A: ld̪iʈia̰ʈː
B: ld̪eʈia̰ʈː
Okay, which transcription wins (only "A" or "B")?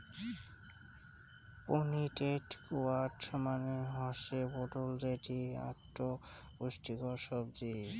B